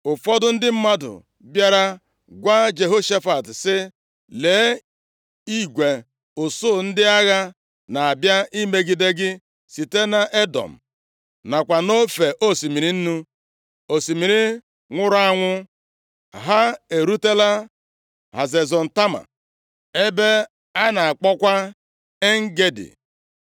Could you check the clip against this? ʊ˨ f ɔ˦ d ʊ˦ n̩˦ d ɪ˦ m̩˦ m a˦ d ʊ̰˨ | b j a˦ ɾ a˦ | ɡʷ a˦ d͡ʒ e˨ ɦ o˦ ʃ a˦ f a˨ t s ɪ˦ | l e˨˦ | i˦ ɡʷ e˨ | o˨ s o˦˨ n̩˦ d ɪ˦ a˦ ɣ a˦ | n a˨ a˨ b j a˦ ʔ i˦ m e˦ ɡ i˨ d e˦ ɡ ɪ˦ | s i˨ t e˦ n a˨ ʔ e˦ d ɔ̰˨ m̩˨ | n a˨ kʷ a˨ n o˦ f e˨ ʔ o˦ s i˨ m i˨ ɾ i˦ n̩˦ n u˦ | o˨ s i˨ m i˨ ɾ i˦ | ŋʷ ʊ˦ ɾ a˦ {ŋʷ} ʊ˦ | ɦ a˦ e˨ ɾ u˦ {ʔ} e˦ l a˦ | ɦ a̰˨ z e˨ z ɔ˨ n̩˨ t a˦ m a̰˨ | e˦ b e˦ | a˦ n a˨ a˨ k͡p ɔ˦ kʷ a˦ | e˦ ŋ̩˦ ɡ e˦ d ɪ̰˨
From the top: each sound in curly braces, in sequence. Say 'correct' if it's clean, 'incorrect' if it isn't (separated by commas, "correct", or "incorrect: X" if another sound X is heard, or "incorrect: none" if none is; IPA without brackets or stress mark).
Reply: correct, incorrect: t